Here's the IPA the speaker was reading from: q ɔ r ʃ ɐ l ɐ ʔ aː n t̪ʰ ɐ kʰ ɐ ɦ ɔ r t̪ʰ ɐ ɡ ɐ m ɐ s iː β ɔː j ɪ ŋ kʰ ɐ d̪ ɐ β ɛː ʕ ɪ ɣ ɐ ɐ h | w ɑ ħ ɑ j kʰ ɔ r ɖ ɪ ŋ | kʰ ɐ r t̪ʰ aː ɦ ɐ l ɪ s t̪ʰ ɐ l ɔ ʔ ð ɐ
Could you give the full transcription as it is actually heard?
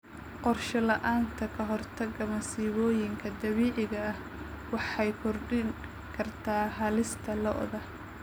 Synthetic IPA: q ɔ r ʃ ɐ l ɐ ʔ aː n t̪ʰ ɐ kʰ ɐ ɦ ɔ r t̪ʰ ɐ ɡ ɐ m ɐ s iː β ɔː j ɪ ŋ kʰ ɐ d̪ ɐ β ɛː ʕ ɪ ɣ ɐ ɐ h | w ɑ ħ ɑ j kʰ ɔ r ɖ ɪ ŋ | kʰ ɐ r t̪ʰ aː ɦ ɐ l ɪ s t̪ʰ ɐ l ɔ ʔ ð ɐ

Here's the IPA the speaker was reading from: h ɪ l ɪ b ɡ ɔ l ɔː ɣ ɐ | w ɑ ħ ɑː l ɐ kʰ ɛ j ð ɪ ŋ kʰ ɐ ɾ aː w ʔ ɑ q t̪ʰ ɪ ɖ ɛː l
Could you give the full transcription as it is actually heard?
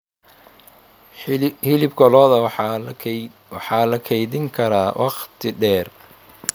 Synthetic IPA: h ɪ l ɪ b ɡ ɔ l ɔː ð ɐ | w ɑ ħ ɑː l ɐ kʰ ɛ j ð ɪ ŋ kʰ ɐ ɾ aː w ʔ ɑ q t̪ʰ ɪ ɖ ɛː r

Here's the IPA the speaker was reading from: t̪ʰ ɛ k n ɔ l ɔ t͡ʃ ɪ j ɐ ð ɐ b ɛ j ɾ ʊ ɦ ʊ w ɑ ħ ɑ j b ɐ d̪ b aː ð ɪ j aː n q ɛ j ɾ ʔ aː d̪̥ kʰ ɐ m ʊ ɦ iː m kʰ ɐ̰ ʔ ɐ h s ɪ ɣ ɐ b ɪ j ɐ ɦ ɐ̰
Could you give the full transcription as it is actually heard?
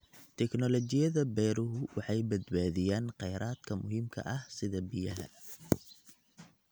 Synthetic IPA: t̪ʰ ɛ k n ɔ l ɔ t͡ʃ ɪ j ɐ ð ɐ b ɛ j ɾ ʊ ɦ ʊ w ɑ ħ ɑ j b ɐ d̪ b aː ð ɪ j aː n q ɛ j ɾ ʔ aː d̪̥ kʰ ɐ m ʊ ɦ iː m kʰ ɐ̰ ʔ ɐ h s ɪ ð ɐ b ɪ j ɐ ɦ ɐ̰

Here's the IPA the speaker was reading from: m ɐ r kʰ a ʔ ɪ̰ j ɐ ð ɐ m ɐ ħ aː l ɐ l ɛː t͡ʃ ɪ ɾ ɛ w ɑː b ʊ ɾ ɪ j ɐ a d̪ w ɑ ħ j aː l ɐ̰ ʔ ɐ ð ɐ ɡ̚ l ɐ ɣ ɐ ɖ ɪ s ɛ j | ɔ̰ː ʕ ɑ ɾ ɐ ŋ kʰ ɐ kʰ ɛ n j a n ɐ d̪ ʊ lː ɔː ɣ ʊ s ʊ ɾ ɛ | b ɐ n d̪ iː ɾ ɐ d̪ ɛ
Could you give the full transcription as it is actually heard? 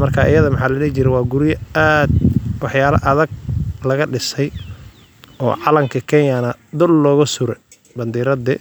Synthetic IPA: m ɐ r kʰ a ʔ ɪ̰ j ɐ ð ɐ m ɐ ħ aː l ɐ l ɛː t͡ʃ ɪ ɾ ɛ w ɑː ɡ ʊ ɾ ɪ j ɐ a d̪ w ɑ ħ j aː l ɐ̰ ʔ ɐ ð ɐ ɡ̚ l ɐ ɣ ɐ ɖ ɪ s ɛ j | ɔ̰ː ʕ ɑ l ɐ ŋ kʰ ɐ kʰ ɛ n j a n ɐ d̪ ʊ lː ɔː ɣ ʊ s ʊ ɾ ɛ | b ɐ n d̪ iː ɾ ɐ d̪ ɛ

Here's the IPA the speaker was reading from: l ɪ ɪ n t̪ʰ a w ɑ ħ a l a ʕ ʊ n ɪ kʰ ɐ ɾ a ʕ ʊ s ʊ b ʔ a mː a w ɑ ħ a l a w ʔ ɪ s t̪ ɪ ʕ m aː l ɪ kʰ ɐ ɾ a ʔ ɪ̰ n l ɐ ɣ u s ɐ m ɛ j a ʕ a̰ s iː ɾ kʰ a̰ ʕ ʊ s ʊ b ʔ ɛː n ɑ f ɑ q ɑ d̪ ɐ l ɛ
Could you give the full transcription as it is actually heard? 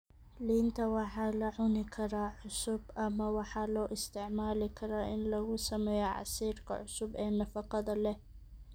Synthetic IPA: l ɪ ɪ n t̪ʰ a w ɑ ħ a l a ʕ ʊ n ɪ kʰ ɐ ɾ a ʕ ʊ s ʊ b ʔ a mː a w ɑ ħ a l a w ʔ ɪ s t̪ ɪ ʕ m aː l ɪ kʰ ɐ ɾ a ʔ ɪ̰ n l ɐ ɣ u s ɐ m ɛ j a ʕ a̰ s iː ɾ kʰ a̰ ʕ ʊ s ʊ b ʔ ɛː n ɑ f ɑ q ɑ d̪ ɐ l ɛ

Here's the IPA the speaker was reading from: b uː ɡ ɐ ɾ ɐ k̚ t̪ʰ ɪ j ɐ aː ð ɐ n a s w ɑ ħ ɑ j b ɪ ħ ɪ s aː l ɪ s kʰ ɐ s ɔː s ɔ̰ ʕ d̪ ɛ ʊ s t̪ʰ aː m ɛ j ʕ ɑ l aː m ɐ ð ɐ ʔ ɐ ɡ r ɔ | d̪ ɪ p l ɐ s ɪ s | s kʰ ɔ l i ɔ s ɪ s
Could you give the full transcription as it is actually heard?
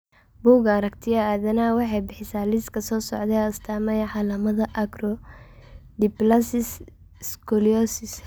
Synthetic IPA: b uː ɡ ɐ ɾ ɐ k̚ t̪ʰ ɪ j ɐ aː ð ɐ n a w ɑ ħ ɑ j b ɪ ħ ɪ s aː l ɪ s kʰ ɐ s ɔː s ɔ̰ ʕ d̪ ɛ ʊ s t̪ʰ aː m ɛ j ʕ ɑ l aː m ɐ ð ɐ ʔ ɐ ɡ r ɔ | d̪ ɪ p l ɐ s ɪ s | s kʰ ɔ l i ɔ s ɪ s

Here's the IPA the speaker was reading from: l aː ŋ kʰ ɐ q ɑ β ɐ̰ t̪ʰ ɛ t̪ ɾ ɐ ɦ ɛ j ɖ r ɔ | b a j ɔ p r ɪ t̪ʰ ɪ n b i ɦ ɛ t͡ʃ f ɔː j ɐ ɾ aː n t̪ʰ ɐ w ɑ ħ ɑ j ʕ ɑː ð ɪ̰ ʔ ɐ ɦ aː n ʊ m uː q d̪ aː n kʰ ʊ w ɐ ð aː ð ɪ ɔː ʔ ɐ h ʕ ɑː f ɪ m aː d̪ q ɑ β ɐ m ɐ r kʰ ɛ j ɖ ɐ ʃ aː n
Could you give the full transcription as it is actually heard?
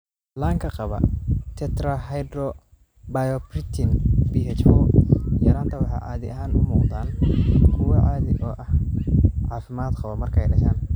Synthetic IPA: l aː ŋ kʰ ɐ q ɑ β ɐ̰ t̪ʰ ɛ t̪ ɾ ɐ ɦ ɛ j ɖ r ɔ | b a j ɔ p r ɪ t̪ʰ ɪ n b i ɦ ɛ t͡ʃ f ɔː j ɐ ɾ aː n t̪ʰ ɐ w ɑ ħ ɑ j ʕ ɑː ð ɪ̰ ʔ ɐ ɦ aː n ʊ m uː q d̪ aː n kʰ ʊ w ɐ ʕ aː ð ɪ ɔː ʔ ɐ h ʕ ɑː f ɪ m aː d̪ q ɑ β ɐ m ɐ r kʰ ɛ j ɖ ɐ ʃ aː n

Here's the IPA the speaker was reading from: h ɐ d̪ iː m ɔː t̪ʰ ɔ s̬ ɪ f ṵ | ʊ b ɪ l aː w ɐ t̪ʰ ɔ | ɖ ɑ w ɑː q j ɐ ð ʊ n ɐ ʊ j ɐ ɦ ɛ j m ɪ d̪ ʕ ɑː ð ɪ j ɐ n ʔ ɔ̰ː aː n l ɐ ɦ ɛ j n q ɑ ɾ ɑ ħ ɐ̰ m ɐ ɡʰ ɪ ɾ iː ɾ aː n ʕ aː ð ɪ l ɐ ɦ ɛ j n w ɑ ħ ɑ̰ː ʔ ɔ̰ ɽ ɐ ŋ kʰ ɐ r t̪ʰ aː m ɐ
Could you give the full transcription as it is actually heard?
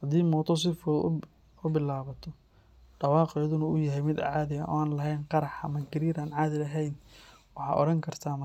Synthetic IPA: h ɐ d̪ iː m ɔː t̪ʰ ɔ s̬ ɪ f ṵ | ʊ b ɪ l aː β ɐ t̪ʰ ɔ | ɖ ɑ w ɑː q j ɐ ð ʊ n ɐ ʊ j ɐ ɦ ɛ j m ɪ d̪ ʕ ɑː ð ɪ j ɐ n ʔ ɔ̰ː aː n l ɐ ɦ ɛ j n q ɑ ɾ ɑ ħ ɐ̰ m ɐ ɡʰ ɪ ɾ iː ɾ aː n ʕ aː ð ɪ l ɐ ɦ ɛ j n w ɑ ħ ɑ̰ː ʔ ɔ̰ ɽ ɐ ŋ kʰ ɐ r t̪ʰ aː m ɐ

